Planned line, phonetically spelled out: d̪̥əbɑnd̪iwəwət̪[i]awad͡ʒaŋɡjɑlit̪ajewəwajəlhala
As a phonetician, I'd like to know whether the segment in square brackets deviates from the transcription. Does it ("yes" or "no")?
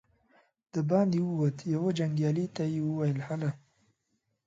yes